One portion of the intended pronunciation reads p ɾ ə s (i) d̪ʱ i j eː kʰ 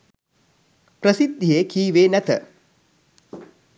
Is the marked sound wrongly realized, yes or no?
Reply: no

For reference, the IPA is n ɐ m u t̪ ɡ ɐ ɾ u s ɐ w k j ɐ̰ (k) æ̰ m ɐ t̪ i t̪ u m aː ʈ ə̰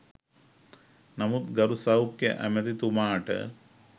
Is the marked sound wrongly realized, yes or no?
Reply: yes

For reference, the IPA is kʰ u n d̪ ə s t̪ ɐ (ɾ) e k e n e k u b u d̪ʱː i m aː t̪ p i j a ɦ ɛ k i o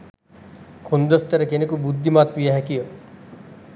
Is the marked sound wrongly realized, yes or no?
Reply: no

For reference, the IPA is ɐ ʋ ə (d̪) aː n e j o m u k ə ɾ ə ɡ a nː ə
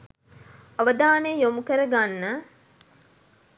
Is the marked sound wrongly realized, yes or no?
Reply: no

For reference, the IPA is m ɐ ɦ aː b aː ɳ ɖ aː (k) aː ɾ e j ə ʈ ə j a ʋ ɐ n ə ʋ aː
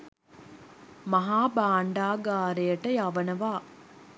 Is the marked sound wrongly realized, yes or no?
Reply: yes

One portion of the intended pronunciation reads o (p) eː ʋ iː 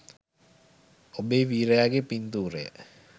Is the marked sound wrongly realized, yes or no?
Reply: yes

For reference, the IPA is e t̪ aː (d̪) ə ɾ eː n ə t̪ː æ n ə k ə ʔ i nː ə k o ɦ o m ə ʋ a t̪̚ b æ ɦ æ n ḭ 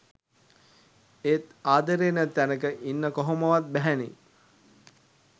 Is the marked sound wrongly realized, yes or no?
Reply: no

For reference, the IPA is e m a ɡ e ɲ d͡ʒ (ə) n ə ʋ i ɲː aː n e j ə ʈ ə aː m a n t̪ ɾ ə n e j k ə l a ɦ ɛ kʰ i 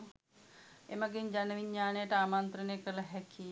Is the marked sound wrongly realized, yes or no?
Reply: yes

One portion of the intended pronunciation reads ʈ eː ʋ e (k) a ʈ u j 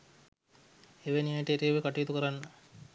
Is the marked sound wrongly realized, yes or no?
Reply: no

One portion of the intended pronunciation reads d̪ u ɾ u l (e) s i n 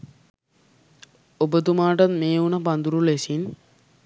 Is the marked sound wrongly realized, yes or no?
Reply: no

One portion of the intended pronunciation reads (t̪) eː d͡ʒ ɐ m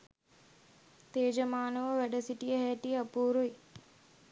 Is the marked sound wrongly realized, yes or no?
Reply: no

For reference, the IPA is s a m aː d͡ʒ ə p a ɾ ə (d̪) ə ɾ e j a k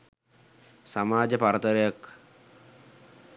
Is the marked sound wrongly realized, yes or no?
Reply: yes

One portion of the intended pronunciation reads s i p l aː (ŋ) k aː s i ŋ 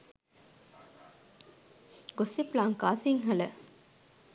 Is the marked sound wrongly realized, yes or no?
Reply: no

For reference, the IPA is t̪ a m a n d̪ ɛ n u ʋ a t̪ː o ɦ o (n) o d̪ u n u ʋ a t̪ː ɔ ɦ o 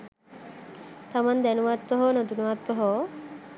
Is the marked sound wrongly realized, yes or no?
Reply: no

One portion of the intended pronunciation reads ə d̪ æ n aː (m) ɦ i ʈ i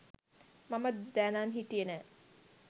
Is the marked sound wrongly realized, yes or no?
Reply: yes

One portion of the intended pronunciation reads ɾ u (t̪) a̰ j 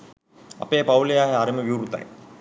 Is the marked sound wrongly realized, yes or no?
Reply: no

